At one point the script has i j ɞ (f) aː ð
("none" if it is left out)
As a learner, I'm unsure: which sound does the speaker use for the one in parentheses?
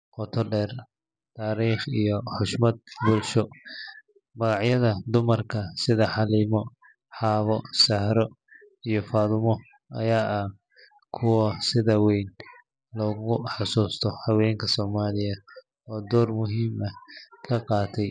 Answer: f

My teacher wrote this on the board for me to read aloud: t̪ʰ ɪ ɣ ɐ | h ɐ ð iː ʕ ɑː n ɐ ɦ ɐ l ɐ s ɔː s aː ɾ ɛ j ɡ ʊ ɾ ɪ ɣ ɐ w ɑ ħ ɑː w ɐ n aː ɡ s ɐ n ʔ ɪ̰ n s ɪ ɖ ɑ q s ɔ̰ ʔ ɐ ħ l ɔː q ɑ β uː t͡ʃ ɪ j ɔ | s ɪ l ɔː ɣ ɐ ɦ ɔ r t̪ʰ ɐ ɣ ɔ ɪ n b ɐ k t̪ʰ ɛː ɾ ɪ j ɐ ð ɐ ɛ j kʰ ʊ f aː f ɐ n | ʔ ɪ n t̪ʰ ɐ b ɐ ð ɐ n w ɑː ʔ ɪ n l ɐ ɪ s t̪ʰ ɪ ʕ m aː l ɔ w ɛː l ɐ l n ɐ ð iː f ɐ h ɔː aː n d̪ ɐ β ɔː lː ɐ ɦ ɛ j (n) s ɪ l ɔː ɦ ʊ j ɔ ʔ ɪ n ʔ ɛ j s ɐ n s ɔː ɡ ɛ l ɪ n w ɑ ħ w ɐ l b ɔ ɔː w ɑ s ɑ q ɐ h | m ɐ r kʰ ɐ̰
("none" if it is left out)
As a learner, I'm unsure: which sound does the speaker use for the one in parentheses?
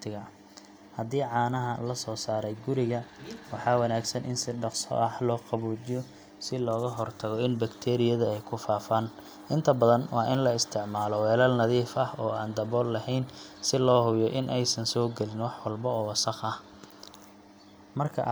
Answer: n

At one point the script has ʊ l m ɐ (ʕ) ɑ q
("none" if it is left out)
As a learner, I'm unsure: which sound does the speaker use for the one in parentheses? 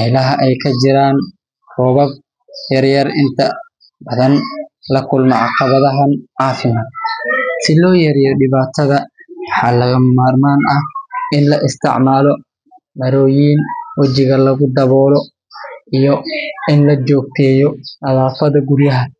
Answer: ʕ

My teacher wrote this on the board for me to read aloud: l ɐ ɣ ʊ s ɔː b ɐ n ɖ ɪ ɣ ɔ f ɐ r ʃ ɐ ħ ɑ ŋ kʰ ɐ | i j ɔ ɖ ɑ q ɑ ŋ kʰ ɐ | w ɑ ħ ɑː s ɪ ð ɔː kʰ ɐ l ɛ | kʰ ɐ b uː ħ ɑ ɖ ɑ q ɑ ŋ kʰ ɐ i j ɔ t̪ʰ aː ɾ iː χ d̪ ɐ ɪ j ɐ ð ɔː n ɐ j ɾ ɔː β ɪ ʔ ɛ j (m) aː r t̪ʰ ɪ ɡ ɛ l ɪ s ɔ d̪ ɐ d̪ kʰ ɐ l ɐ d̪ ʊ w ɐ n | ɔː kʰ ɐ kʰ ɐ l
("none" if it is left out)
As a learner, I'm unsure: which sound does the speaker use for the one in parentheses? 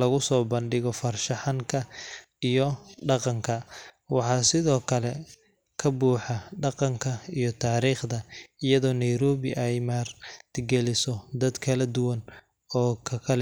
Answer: m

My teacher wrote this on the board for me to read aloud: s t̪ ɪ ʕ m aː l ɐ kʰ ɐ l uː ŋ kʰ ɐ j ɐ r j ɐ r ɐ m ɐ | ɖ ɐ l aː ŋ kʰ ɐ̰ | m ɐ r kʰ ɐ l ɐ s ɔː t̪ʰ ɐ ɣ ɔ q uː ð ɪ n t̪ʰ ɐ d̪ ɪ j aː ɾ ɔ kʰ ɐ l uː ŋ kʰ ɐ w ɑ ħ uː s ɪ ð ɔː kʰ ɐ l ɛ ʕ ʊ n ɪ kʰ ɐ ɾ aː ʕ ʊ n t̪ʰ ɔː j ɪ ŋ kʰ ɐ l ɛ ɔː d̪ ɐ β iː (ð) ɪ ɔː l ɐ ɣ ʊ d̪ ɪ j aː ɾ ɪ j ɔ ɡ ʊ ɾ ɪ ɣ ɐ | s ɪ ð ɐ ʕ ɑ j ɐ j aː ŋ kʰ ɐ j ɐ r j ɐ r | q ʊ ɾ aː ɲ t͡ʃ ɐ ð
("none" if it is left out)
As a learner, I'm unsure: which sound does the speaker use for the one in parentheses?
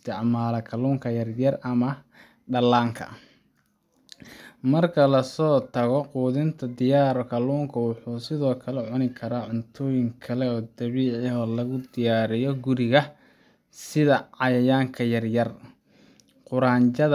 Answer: ʕ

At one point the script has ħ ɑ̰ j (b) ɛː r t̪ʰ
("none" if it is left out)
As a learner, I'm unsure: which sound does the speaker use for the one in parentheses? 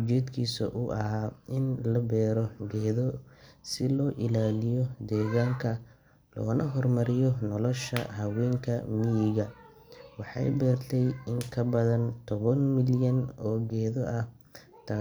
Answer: b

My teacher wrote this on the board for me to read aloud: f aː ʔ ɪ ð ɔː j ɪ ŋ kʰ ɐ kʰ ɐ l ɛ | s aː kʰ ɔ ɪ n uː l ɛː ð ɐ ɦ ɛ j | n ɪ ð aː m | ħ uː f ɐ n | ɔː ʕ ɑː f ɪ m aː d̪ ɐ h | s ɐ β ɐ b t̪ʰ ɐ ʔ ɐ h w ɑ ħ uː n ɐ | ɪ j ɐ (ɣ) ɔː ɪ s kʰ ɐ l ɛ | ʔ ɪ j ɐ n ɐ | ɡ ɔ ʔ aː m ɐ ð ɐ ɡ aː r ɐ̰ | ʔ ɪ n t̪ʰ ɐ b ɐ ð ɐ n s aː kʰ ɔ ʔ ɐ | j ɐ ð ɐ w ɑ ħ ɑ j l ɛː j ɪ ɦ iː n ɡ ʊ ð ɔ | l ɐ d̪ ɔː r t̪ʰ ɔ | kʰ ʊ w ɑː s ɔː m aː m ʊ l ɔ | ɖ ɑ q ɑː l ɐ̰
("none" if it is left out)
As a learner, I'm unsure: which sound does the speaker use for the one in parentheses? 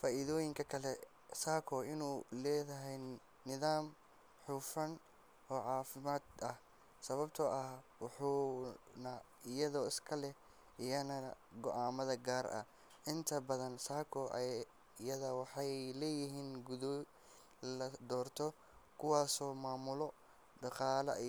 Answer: ð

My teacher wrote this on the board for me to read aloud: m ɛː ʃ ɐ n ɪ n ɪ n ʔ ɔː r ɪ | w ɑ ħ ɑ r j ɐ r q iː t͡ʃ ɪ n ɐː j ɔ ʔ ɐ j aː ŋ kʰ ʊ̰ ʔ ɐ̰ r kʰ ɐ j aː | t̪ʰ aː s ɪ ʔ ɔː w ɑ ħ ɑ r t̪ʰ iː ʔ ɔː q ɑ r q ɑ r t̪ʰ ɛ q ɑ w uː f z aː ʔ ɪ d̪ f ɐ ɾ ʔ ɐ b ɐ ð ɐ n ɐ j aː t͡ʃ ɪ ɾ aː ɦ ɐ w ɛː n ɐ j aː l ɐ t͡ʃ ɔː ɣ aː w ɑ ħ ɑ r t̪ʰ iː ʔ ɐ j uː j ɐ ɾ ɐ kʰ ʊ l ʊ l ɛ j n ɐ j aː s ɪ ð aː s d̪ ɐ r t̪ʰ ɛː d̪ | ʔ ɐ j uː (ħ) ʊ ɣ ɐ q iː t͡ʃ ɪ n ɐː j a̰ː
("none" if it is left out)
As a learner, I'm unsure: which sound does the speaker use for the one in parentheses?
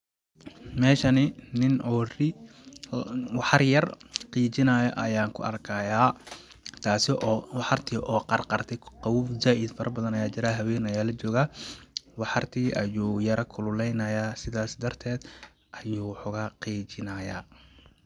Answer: ħ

